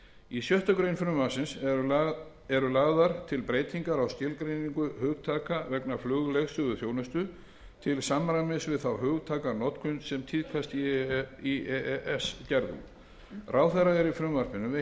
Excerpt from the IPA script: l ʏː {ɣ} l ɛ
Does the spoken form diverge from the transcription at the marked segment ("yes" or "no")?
no